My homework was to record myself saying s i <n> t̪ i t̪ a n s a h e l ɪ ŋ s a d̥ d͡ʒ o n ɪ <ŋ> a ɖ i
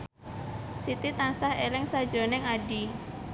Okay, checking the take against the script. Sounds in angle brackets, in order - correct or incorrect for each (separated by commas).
incorrect, correct